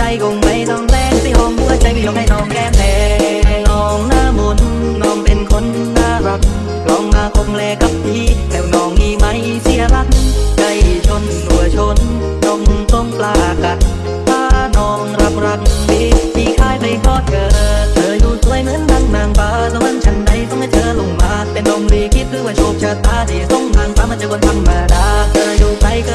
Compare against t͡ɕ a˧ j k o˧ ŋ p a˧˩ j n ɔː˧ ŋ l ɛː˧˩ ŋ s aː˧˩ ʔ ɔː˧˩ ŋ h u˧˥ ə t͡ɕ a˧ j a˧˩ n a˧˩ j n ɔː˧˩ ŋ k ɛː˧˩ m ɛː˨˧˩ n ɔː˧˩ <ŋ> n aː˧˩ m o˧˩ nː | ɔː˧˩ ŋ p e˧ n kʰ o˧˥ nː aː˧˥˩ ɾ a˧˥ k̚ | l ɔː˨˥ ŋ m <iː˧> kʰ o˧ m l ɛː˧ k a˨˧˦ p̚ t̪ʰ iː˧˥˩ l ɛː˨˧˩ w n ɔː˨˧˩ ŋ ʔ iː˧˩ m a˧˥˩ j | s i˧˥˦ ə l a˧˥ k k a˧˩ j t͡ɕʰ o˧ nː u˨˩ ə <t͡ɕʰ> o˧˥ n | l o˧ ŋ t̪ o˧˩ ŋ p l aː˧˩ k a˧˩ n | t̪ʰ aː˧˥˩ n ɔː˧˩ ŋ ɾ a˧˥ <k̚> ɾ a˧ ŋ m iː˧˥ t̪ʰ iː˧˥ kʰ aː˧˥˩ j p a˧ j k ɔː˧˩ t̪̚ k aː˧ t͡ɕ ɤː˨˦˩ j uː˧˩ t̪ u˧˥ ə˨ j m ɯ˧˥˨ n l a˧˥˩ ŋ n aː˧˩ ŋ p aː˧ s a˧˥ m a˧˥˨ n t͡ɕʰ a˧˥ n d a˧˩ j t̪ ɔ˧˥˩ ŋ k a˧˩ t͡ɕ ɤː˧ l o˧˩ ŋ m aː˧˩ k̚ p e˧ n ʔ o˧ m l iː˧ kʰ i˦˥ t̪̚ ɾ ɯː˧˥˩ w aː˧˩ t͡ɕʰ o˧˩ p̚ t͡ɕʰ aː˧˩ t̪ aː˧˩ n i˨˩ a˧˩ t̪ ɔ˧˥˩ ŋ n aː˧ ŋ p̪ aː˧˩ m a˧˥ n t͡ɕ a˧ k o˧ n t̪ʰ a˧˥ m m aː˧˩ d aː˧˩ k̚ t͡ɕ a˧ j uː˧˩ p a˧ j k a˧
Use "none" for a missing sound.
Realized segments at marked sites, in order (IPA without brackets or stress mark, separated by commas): ŋ, aː˧, t͡ɕʰ, p̚